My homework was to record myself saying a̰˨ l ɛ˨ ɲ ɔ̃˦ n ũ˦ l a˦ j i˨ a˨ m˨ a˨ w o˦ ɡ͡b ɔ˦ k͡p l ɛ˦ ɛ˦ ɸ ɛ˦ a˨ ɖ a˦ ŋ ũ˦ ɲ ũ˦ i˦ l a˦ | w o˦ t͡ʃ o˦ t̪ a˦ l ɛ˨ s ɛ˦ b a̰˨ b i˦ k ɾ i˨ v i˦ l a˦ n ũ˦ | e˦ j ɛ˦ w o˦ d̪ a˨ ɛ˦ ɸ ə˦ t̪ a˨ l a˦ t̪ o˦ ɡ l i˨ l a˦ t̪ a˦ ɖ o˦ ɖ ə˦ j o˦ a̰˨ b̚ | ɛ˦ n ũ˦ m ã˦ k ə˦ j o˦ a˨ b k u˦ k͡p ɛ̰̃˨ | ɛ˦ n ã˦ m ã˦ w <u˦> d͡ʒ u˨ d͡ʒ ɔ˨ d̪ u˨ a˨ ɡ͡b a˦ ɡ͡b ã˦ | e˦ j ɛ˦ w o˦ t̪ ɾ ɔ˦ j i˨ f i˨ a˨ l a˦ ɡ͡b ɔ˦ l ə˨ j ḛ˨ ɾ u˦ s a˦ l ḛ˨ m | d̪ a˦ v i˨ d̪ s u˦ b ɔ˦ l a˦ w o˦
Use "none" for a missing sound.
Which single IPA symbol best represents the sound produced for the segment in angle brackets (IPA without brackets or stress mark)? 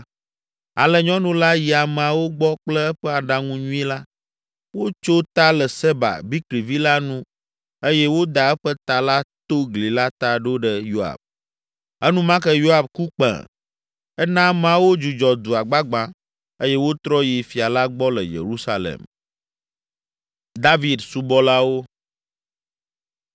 o˦